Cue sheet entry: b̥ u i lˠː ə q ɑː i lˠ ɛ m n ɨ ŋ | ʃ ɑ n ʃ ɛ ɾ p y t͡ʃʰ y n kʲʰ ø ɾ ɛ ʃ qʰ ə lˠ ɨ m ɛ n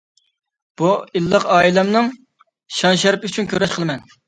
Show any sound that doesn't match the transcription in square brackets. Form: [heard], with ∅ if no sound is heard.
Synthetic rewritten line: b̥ u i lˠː ə q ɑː i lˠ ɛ m n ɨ ŋ | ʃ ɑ n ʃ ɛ ɾ p y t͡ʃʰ y n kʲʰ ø ɾ ɛ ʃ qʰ ə lˠ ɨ m ɛ n